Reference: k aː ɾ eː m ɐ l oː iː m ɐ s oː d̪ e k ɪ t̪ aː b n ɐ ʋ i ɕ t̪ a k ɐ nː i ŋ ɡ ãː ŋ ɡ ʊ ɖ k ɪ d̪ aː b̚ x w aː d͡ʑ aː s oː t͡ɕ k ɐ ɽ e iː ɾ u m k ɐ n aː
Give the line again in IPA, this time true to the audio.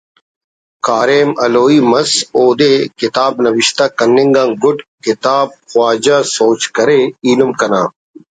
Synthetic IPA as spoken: k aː ɾ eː m ɐ l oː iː m ɐ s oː d̪ e k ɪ t̪ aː b n ɐ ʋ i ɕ t̪ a k ɐ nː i ŋ ɡ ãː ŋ ɡ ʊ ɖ k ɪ t̪ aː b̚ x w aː d͡ʑ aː s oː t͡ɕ k ɐ ɾ e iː l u m k ɐ n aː